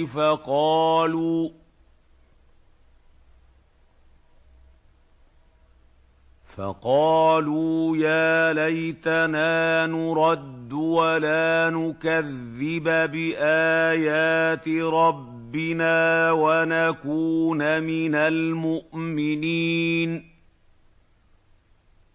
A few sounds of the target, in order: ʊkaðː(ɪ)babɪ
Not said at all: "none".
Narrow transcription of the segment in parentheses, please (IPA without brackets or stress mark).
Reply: ɪ